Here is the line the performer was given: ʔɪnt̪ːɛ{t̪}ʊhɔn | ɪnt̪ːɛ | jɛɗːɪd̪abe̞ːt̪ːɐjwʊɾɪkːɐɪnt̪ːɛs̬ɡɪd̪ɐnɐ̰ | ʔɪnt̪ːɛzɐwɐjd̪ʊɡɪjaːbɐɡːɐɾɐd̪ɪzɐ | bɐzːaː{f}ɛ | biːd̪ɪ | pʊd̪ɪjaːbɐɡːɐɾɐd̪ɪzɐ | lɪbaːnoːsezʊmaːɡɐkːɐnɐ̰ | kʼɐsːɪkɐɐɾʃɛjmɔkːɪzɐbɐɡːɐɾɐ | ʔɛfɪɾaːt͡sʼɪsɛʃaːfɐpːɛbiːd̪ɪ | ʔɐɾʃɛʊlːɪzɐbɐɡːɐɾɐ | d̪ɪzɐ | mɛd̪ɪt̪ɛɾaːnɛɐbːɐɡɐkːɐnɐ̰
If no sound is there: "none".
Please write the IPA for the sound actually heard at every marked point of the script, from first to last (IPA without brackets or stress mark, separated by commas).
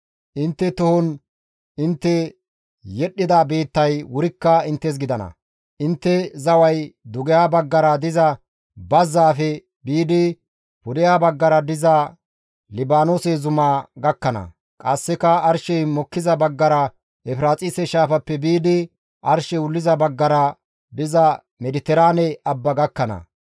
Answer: t̪, f